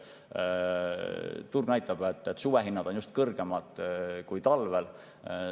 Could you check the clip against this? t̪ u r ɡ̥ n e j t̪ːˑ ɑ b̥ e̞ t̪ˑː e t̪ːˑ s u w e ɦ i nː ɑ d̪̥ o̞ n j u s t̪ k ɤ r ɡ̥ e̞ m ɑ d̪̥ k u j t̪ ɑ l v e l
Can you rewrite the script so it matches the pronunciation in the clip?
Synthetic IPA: t̪ u r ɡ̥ n æ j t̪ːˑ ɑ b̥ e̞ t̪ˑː e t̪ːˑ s u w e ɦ i nː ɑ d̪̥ o̞ n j u s t̪ k ɤ r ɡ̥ e̞ m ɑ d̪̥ k u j t̪ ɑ l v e l